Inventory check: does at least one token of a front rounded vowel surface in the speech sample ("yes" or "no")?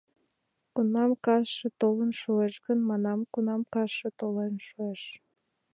no